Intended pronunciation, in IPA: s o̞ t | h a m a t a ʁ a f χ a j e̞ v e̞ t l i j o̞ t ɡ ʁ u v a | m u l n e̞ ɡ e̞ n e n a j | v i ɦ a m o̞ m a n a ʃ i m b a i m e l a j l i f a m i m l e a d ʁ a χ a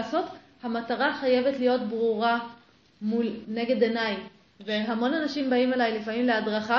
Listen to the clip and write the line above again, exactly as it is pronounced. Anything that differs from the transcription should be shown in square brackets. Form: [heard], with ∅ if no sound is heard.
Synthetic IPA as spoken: s o̞ t | h a m a t a ʁ a [∅] χ a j e̞ v e̞ t l i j o̞ t [b] ʁ u [ʁ] a | m u l n e̞ ɡ e̞ [d] e n a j | v [e] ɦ a m o̞ [n] a n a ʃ i m b a i m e l a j l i f a m i m l e a d ʁ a χ a